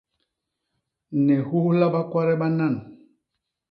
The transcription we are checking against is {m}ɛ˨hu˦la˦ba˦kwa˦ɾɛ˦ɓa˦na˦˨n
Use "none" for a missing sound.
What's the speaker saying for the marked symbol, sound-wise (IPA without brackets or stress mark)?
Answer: n